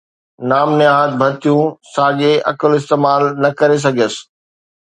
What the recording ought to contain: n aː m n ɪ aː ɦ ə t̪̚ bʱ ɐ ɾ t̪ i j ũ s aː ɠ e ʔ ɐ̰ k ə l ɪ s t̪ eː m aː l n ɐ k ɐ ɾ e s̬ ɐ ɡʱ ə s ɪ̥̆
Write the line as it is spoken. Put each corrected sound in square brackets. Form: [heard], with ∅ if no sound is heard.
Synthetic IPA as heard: n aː m n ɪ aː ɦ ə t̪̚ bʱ ɐ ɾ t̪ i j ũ s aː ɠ e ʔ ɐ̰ k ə l ɪ s t̪ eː m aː l n ɐ k ɐ ɾ e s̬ ɐ ɡʱ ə s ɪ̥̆